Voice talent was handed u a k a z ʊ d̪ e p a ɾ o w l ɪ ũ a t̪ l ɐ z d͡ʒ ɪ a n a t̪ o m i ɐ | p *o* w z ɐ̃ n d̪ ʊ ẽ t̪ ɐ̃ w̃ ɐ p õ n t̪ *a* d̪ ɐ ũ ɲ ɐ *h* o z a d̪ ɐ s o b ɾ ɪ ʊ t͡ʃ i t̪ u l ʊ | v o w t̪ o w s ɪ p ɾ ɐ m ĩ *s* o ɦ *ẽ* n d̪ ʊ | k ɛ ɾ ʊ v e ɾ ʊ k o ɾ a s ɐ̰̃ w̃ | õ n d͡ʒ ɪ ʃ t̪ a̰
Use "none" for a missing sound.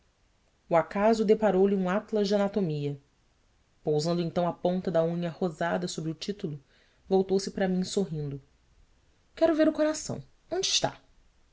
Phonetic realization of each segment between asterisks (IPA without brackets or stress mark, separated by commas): o, ɐ, h, s, ĩ